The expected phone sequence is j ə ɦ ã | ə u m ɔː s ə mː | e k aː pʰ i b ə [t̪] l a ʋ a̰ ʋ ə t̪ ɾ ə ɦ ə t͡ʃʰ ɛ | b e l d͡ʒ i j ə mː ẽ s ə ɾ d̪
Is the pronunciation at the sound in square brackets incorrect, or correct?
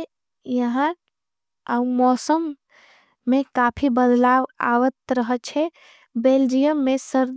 incorrect